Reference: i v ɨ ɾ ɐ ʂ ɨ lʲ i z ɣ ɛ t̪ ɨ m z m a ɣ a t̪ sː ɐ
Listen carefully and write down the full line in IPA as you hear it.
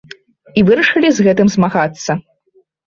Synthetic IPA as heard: i v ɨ ɾ ɐ ʂ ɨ lʲ i z ɣ ɛ t̪ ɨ m z m a ɣ a t̪ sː ɐ